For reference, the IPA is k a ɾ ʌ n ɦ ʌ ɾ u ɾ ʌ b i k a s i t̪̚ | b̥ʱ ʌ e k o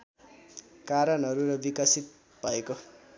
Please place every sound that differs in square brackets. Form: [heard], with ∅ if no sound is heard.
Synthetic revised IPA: k a ɾ ʌ n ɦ ʌ ɾ u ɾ ʌ b i k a s i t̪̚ | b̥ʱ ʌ e k o